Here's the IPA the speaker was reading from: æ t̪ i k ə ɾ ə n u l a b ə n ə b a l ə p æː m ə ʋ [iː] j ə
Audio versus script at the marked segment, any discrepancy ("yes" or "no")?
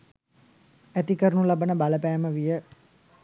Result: yes